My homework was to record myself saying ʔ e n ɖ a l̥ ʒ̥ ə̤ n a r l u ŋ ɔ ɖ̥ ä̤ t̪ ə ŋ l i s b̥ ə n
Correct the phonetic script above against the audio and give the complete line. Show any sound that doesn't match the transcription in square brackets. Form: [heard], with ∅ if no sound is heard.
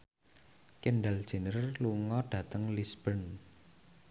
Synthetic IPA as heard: [k] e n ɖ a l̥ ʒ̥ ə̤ n [ə] r l u ŋ ɔ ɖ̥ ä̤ t̪ ə ŋ l i s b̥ ə n